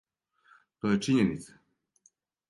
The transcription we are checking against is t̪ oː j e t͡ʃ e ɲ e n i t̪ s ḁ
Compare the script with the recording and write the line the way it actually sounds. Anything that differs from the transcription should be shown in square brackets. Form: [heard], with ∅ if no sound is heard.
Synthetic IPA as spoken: t̪ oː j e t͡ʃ [i] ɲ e n i t̪ s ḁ